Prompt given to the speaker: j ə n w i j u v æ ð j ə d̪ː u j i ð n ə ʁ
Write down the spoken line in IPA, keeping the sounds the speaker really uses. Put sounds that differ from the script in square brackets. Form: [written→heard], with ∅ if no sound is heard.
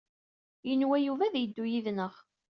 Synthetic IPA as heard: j ə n w [i→æ] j u v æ ð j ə d̪ː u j i ð n ə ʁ